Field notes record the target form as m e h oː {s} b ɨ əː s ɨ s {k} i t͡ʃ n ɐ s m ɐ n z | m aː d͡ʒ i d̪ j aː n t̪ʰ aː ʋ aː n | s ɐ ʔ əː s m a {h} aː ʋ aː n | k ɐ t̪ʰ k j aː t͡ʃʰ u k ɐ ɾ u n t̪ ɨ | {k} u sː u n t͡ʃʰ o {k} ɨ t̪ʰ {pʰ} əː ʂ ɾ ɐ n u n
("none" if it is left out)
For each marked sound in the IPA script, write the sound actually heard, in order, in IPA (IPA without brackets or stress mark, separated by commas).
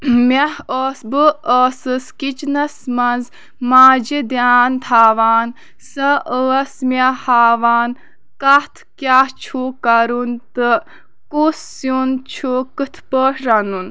s, k, h, k, k, p